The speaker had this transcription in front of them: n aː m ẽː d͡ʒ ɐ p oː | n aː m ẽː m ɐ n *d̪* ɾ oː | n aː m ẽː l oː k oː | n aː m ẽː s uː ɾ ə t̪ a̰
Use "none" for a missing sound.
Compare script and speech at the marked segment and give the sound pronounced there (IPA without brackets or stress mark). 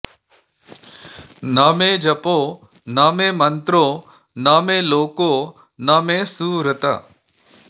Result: t̪